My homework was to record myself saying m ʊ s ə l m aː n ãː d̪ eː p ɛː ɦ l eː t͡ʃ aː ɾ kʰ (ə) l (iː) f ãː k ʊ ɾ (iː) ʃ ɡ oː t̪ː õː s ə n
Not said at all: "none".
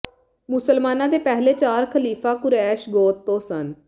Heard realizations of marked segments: ə, iː, ɛː

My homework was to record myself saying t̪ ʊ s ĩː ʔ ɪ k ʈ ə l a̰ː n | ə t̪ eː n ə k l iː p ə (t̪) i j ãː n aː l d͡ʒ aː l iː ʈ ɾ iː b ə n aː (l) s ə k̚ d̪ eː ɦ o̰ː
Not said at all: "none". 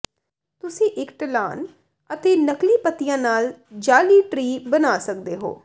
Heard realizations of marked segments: t̪, none

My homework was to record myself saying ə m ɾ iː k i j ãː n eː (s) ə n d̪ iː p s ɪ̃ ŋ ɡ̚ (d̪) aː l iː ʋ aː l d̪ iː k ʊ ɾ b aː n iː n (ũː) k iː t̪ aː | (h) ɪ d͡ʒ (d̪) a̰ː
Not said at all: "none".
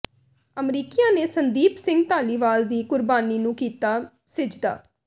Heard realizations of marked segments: s, t̪, ũː, s, d̪

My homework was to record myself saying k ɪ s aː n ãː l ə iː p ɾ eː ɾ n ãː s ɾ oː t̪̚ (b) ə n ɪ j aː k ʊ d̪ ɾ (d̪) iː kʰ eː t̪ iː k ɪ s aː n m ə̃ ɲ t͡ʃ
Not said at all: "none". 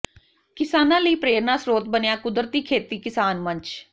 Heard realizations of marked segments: b, t̪

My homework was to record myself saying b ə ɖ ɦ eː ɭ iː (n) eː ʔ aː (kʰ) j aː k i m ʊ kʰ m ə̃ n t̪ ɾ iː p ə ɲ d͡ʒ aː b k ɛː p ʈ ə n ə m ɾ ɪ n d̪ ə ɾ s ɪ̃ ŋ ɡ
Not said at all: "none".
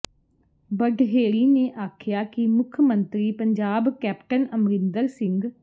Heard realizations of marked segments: n, kʰ

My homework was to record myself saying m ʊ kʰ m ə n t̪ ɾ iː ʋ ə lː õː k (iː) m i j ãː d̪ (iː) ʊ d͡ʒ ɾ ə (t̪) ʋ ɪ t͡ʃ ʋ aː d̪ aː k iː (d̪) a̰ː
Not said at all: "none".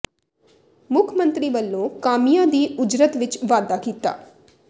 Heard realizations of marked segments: aː, iː, t̪, t̪

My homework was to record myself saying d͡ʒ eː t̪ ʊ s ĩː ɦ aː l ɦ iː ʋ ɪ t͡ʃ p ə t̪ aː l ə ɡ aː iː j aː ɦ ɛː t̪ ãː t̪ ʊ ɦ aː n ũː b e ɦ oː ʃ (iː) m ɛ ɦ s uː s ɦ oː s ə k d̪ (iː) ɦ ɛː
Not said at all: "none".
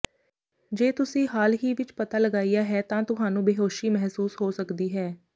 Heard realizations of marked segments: iː, iː

